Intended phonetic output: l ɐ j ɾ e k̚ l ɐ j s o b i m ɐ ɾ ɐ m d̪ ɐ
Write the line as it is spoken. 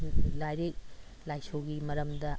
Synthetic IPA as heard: l a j ɾ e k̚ l a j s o ɡ i m ɐ ɾ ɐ m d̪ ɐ

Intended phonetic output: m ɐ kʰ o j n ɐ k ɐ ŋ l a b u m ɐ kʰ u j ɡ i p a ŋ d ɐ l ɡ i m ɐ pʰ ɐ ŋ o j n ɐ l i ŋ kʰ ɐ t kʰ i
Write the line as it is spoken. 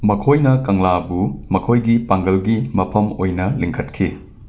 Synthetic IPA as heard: m ɐ kʰ o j n ɐ k ɐ ŋ l a b u m ɐ kʰ o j ɡ i p a ŋ ɡ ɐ l ɡ i m ɐ pʰ ɐ m o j n ɐ l i ŋ kʰ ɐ t kʰ i

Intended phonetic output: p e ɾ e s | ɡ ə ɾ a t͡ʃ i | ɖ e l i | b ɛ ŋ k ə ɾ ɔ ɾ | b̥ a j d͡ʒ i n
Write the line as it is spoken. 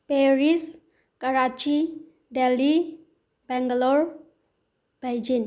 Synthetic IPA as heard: p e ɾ i s | k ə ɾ a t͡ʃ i | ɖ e l i | b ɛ ŋ ɡ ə l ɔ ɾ | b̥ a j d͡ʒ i n

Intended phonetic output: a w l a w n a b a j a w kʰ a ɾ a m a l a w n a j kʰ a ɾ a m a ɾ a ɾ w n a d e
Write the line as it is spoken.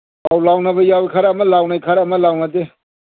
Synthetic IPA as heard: a w l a w n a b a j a w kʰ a ɾ a m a l a w n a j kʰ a ɾ a m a l a w n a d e

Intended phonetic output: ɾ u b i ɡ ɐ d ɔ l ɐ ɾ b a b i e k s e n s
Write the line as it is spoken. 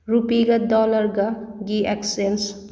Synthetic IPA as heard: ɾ u p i ɡ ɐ d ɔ l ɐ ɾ ɡ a ɡ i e k s e n s

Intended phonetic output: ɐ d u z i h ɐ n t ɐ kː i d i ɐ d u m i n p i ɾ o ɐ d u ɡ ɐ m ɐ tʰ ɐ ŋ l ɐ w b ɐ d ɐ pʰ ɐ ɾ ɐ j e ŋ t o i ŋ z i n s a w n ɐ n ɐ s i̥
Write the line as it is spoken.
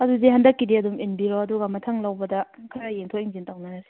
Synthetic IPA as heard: ɐ d u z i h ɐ n d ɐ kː i d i ɐ d u m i n b i ɾ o ɐ d u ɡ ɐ m ɐ tʰ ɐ ŋ l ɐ w b ɐ d ɐ kʰ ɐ ɾ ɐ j e ŋ tʰ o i ŋ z i n t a w n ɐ n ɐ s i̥

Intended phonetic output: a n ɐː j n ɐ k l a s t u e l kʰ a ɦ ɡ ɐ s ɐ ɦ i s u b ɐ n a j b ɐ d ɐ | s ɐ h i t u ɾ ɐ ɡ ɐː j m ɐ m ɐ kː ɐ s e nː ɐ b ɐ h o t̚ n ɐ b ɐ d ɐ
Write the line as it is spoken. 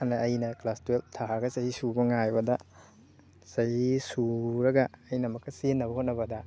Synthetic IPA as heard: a n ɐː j n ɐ k l a s t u e l tʰ a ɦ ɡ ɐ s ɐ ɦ i s u b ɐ ŋ a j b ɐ d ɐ | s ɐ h i s u ɾ ɐ ɡ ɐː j n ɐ m ɐ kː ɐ s e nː ɐ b ɐ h o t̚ n ɐ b ɐ d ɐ

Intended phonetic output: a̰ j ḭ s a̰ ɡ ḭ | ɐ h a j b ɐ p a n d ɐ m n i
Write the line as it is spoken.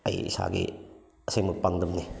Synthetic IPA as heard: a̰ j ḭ s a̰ ɡ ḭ | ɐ s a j m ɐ p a ŋ d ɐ m n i

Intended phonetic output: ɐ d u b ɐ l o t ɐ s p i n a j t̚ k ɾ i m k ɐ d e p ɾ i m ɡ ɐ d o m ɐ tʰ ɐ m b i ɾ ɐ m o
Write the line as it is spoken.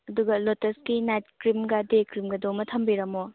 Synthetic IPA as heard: ɐ d u ɡ ɐ l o t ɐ s k i n a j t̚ k ɾ i m ɡ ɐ d e k ɾ i m ɡ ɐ d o m ɐ tʰ ɐ m b i ɾ ɐ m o

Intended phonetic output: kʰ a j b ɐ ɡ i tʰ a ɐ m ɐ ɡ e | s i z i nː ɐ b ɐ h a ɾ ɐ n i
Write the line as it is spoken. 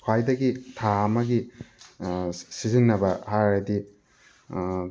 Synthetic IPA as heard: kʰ a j d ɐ ɡ i tʰ a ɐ m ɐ ɡ i | s i z i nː ɐ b ɐ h a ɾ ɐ d i

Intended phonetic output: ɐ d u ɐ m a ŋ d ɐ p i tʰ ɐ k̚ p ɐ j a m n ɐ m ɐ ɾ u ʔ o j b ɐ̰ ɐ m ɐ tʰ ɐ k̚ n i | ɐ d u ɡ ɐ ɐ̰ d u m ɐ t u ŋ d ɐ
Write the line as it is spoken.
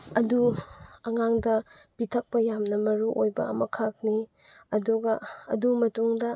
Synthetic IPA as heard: ɐ d u ɐ ŋ a ŋ d ɐ p i tʰ ɐ k̚ p ɐ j a m n ɐ m ɐ ɾ u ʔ o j b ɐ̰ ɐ m ɐ kʰ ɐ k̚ n i | ɐ d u ɡ ɐ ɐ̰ d u m ɐ t u ŋ d ɐ

